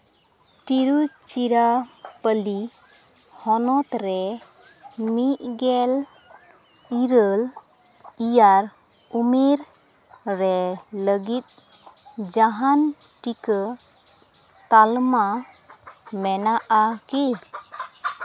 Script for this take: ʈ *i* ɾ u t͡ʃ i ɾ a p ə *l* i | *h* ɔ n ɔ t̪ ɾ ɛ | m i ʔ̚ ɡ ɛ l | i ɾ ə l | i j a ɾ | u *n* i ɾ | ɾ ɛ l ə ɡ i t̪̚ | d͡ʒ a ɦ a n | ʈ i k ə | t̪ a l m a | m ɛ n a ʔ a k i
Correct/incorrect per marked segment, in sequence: correct, correct, correct, incorrect: m

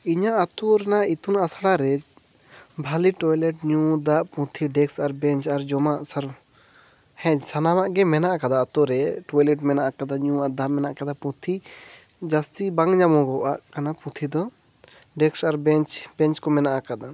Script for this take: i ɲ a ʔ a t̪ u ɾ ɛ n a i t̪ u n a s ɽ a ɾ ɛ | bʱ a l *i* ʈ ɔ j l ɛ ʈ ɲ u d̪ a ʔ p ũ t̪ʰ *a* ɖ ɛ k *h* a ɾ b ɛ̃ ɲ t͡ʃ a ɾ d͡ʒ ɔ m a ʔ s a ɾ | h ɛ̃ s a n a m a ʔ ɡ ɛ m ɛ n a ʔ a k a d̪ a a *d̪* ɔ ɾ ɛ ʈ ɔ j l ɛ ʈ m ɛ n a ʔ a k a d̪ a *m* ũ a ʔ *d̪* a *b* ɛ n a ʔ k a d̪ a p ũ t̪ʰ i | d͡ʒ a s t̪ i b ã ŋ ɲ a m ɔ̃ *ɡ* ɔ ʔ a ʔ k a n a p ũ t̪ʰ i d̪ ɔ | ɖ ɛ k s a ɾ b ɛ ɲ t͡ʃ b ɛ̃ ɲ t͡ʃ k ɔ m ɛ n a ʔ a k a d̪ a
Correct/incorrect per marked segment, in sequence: correct, incorrect: i, incorrect: s, incorrect: t̪, incorrect: ɲ, correct, incorrect: m, correct

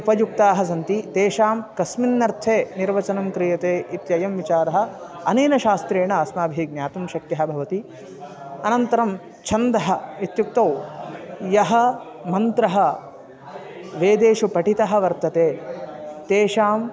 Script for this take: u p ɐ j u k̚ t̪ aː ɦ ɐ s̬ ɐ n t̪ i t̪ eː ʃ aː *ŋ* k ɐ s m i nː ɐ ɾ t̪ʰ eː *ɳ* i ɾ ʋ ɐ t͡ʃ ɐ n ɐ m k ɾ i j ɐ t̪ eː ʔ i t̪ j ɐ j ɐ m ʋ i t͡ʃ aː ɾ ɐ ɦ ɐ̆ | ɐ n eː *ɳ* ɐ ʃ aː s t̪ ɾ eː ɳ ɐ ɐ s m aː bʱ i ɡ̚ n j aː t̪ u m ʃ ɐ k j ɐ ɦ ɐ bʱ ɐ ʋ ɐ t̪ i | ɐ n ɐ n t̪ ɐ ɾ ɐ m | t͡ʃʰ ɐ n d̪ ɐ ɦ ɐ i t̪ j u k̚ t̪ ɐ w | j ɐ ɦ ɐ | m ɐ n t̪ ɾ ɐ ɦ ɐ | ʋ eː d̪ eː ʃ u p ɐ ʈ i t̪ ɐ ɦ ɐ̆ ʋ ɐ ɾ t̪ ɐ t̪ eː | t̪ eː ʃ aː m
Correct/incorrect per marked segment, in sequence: incorrect: m, incorrect: n, incorrect: n

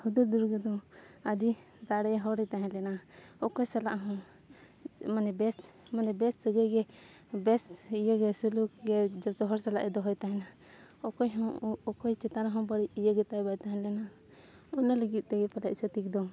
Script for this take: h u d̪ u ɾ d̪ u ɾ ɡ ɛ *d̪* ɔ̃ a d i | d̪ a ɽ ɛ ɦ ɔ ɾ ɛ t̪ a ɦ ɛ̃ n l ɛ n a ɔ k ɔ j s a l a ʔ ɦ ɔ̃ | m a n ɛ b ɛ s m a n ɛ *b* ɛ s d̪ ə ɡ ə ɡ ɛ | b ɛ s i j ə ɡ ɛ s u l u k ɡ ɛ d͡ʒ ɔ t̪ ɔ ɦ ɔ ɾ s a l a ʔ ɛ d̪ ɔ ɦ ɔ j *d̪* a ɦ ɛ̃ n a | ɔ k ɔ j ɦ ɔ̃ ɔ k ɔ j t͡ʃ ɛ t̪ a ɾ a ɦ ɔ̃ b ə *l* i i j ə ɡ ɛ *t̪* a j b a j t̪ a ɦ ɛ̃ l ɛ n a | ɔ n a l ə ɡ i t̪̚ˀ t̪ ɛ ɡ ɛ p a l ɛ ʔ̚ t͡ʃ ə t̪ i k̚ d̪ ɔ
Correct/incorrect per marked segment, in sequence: correct, correct, incorrect: t̪, incorrect: ɽ, correct

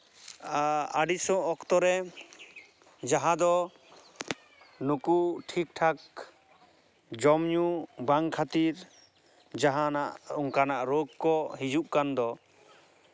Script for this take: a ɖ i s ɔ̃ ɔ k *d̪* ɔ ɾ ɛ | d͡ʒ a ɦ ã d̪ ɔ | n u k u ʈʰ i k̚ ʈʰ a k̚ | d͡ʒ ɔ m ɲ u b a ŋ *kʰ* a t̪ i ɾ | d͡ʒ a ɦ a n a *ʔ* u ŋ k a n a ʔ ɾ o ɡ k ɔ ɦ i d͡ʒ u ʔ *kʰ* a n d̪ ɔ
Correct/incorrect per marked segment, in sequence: incorrect: t̪, correct, correct, incorrect: k

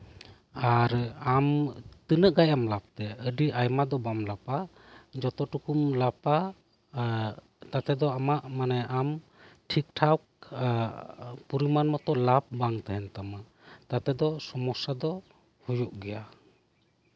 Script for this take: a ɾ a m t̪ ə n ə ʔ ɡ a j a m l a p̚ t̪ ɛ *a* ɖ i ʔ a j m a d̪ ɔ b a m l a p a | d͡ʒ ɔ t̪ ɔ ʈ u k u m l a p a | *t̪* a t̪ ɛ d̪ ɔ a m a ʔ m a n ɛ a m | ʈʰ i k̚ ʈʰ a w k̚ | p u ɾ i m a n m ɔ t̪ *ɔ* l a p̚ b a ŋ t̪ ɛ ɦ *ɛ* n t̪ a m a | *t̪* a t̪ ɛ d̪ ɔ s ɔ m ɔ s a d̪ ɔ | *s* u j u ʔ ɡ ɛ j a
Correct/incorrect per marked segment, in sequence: incorrect: ə, correct, correct, correct, correct, incorrect: h

